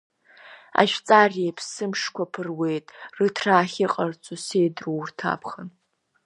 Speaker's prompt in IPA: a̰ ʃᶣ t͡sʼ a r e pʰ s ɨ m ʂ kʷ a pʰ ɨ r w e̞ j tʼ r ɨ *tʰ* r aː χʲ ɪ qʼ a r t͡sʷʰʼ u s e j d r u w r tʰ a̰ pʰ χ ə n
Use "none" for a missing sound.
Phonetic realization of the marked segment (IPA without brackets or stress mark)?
tʰ